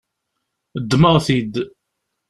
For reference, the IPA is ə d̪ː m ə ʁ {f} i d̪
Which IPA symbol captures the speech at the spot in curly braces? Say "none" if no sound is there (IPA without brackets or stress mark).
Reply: θ